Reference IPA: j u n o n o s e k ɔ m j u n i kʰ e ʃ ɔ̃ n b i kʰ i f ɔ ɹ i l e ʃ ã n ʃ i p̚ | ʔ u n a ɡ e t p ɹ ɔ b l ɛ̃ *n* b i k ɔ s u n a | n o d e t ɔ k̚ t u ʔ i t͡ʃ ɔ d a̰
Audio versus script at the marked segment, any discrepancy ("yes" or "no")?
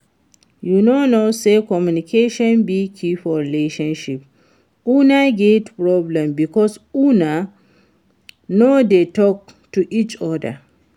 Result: yes